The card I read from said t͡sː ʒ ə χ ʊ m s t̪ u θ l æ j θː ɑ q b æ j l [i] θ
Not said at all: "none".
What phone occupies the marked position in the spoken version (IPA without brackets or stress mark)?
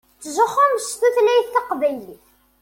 i